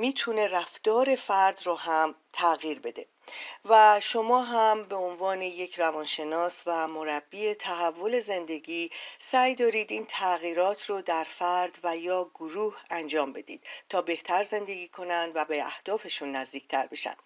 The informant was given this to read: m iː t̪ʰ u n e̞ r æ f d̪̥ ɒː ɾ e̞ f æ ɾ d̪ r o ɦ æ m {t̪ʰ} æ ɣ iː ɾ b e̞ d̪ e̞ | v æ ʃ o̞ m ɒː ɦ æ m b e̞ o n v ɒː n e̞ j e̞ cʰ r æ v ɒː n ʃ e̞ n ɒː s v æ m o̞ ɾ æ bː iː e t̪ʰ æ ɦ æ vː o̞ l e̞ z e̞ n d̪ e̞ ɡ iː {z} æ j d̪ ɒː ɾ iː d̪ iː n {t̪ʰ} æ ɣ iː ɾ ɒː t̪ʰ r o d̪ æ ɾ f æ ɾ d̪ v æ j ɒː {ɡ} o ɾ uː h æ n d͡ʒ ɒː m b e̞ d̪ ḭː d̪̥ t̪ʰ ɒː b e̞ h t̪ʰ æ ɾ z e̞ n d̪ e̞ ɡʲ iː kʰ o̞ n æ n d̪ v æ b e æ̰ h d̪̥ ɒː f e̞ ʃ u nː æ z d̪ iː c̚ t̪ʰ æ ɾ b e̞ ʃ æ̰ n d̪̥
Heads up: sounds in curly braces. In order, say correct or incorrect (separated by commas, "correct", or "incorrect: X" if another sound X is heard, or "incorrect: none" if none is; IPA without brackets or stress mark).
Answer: correct, incorrect: s, correct, correct